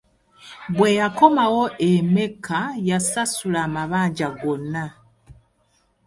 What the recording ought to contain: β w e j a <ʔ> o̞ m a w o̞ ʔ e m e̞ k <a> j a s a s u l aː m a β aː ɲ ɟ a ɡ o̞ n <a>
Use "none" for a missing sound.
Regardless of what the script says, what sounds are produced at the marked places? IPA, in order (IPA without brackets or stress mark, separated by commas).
k, a, a